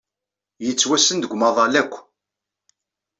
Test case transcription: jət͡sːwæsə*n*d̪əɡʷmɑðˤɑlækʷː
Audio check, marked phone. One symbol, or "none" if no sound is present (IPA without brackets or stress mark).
n